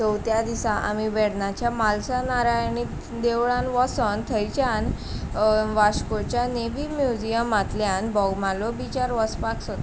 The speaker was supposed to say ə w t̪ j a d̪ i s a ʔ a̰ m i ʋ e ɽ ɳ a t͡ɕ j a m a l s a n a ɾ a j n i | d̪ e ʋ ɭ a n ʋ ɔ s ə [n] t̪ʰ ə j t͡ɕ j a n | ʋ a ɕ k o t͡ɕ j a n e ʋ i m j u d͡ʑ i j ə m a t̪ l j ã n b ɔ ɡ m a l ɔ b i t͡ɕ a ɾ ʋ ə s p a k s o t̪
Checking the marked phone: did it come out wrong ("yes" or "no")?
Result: no